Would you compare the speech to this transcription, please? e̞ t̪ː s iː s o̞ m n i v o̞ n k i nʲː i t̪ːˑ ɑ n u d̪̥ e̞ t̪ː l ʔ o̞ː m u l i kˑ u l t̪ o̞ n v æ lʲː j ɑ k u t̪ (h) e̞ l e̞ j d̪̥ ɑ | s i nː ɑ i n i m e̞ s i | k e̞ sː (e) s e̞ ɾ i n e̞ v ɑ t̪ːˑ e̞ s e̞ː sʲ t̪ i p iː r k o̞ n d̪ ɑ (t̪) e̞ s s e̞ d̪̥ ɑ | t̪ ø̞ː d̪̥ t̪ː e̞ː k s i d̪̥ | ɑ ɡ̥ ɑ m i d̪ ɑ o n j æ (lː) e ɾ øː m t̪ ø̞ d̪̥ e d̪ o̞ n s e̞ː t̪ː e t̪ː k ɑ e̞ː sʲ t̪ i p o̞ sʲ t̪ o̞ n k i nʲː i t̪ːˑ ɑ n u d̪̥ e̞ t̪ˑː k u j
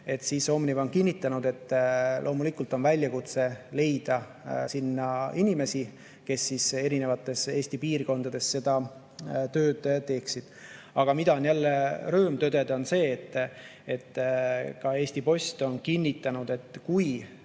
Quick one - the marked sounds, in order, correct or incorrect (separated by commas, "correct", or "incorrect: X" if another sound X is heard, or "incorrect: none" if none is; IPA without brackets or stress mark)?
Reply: incorrect: s, incorrect: i, incorrect: d̪, correct